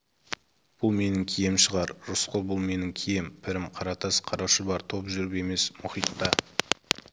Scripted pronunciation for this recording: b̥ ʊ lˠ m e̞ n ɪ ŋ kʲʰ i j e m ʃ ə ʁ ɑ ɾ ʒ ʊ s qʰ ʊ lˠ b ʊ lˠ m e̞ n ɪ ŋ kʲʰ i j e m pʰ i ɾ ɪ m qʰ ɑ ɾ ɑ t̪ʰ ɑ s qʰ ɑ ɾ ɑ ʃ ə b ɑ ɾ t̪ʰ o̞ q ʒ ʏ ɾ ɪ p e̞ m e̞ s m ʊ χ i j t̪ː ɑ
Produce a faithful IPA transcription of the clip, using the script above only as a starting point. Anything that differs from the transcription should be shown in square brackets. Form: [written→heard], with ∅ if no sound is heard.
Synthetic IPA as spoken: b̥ ʊ lˠ m e̞ n ɪ ŋ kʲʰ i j e m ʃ ə ʁ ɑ ɾ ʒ ʊ s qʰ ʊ lˠ b ʊ lˠ m e̞ n ɪ ŋ kʲʰ i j e m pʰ [i→ɪ] ɾ ɪ m qʰ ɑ ɾ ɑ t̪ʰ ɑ s qʰ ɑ ɾ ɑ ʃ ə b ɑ ɾ t̪ʰ o̞ [q→p] ʒ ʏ ɾ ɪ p e̞ m e̞ s m ʊ χ i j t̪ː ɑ